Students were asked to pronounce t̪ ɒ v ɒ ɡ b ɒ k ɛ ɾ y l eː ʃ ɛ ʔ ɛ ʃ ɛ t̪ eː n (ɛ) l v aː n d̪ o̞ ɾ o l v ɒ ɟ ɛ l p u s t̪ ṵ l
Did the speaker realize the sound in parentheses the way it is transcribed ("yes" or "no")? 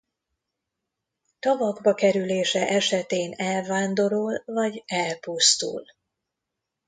yes